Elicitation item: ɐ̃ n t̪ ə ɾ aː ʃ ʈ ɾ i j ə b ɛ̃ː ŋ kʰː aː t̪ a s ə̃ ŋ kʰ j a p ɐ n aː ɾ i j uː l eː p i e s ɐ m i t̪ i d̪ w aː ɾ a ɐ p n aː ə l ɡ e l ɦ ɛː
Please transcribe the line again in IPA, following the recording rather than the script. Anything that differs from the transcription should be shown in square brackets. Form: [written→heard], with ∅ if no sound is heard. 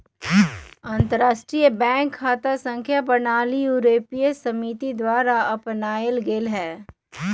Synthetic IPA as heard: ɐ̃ n t̪ ə ɾ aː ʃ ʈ ɾ i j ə b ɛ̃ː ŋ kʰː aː t̪ a s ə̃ ŋ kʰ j a p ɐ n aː [ɾ→l] i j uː [l→ɾ] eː p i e s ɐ m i t̪ i d̪ w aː ɾ a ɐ p n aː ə l ɡ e l ɦ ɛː